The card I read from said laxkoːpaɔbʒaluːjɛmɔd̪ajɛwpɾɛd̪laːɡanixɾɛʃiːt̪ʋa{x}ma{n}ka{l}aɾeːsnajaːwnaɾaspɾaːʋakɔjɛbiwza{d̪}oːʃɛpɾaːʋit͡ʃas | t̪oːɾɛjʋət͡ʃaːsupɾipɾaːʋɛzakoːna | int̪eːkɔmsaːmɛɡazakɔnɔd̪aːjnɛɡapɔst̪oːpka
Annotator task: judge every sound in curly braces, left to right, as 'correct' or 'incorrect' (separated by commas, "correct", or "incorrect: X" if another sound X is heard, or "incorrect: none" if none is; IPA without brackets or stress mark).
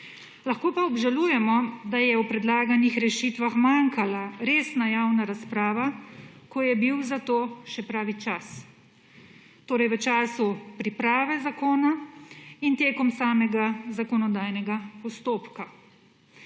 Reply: correct, incorrect: ŋ, correct, incorrect: t̪